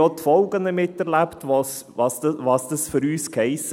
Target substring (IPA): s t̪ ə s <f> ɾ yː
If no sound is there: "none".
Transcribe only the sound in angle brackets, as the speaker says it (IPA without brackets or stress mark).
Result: f